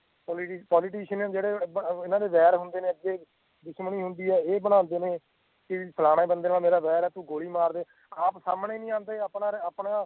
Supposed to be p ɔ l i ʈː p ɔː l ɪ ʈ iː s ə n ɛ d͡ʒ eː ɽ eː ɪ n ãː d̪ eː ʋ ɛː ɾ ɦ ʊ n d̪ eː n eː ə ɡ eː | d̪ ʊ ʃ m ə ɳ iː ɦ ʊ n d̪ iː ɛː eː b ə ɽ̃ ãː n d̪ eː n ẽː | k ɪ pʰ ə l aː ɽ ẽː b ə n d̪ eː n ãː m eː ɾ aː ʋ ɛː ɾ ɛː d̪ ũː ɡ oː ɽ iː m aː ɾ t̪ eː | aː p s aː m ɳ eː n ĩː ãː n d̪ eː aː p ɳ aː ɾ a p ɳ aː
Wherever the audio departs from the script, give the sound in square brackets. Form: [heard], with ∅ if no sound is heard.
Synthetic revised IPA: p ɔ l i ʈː p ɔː l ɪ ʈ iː [ʃ] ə n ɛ d͡ʒ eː ɽ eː ɪ n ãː d̪ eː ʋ ɛː ɾ ɦ ʊ n d̪ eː n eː ə ɡ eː | d̪ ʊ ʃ m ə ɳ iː ɦ ʊ n d̪ iː ɛː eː b ə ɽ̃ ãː n d̪ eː n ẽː | k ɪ pʰ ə l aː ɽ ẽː b ə n d̪ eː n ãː m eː ɾ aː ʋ ɛː ɾ ɛː [t̪] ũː ɡ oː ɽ iː m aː ɾ [d̪] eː | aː p s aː m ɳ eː n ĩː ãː n d̪ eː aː p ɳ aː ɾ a p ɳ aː